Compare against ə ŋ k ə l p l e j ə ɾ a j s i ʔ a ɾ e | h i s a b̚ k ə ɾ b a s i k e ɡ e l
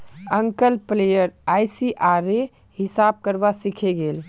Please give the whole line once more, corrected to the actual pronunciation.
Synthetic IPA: ə ŋ k ə l p l e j ə ɾ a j s i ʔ a ɾ e | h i s a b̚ k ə ɾ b a s i kʰ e ɡ e l